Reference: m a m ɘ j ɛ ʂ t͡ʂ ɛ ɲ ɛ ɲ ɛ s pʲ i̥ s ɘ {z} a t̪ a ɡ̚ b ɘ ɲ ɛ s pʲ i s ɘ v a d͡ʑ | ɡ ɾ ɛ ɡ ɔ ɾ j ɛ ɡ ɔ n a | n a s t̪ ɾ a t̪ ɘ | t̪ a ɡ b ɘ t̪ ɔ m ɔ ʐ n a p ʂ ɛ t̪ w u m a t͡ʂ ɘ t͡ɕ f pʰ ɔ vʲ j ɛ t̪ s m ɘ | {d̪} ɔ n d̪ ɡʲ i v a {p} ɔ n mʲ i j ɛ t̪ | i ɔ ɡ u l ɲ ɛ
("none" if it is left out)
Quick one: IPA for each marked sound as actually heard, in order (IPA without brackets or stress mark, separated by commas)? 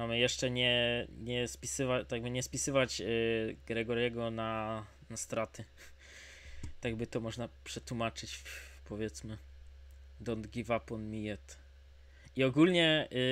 v, d̪, p